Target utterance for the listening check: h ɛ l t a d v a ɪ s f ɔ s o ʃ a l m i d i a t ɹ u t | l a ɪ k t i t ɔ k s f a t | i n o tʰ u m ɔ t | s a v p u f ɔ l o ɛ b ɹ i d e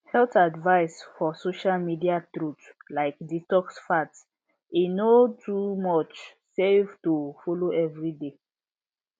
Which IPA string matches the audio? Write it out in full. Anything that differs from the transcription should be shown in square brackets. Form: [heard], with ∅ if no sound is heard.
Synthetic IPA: h ɛ l t a d v a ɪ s f ɔ s o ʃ a l m i d i a t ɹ u t | l a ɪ k [d] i t ɔ k s f a t | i n o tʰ u m ɔ [t͡ʃ] | s [e] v [t] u f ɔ l o ɛ [v] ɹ i d e